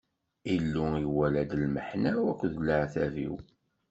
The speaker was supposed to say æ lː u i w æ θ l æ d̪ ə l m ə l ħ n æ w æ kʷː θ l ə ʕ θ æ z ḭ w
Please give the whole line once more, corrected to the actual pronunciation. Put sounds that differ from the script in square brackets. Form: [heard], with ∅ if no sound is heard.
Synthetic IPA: [i] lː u i w æ [∅] l æ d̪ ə l m ə [∅] ħ n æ w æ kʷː [ð] l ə ʕ θ æ [v] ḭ w